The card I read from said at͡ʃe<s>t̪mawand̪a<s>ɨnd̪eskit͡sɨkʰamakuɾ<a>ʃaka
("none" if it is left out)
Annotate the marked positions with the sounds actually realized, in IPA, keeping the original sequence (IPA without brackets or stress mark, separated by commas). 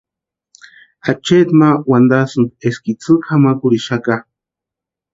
none, s, i